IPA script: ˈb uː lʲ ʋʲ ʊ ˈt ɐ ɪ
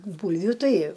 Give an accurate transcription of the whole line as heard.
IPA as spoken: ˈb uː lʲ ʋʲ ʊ ˈt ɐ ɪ